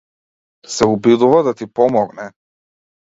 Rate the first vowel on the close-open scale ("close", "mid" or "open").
mid